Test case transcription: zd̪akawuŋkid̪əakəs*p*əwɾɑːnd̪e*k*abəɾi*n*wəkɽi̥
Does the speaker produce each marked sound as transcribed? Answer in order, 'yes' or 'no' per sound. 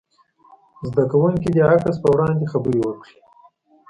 yes, no, no

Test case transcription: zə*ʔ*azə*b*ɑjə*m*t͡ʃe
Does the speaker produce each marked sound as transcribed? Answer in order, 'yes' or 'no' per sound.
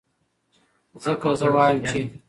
no, no, yes

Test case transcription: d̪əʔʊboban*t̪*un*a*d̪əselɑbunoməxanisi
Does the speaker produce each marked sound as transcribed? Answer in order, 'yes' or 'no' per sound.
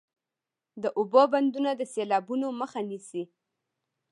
no, yes

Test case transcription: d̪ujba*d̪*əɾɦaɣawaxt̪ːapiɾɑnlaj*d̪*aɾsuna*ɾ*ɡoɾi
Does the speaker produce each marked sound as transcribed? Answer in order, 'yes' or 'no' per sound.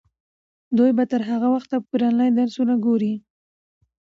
no, yes, no

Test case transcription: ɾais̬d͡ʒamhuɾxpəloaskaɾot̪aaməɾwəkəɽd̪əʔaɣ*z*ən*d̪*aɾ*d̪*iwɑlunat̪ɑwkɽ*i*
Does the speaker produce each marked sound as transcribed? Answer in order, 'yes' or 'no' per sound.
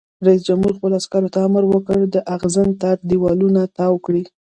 yes, no, yes, yes

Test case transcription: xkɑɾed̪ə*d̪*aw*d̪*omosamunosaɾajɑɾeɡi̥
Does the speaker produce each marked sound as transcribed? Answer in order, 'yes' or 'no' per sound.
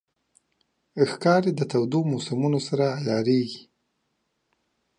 no, yes

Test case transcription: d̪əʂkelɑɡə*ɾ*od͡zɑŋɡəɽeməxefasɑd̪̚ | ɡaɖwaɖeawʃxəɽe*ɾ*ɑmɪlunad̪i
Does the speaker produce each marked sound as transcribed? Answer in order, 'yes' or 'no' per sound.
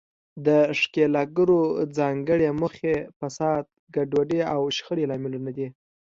yes, no

